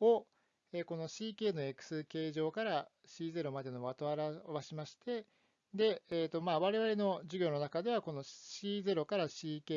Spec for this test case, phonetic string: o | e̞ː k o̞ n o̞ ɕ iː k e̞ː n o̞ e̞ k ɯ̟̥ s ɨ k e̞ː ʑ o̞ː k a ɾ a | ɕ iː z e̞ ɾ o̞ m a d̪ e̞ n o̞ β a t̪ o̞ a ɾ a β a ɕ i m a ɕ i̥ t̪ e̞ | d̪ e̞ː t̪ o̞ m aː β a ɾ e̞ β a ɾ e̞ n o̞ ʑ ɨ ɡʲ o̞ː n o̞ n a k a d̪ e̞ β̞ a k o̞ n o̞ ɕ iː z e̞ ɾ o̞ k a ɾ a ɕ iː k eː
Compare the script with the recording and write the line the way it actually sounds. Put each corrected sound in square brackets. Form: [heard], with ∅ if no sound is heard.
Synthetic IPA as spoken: o | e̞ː k o̞ n o̞ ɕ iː k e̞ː n o̞ e̞ k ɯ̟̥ s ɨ k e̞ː ʑ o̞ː k a ɾ a | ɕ iː z e̞ ɾ o̞ m a d̪ e̞ n o̞ β a t̪ o̞ a ɾ a β a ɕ i m a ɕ i̥ t̪ e̞ | d̪ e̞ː t̪ o̞ m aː β a ɾ e̞ β a ɾ e̞ n o̞ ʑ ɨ ɡʲ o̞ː n o̞ n a k a d̪ e̞ β̞ a k o̞ n o̞ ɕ iː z e̞ ɾ o̞ k a ɾ a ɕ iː k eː